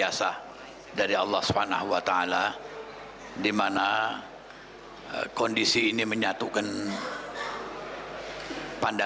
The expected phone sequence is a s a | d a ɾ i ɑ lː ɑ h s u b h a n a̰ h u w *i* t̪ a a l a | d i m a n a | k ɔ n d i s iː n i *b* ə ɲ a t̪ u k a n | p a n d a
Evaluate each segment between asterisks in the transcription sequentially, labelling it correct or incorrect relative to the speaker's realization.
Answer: incorrect, incorrect

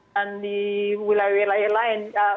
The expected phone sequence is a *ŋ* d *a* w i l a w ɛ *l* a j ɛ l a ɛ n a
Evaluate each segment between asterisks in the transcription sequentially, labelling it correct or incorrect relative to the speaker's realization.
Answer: incorrect, incorrect, correct

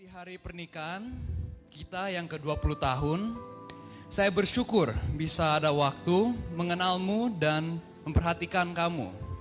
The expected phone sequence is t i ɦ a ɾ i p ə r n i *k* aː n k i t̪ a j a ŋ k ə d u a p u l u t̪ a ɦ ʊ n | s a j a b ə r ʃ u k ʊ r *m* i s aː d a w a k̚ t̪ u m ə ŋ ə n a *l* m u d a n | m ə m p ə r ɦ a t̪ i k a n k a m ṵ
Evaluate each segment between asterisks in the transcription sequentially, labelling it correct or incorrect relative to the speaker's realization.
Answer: correct, incorrect, correct

